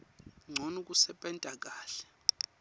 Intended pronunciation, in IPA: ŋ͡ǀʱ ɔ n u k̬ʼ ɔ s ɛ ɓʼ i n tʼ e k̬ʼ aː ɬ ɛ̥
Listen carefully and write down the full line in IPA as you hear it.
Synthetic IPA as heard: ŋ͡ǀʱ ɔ n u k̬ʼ u s ɛ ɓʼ ɛ n tʼ a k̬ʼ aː ɬ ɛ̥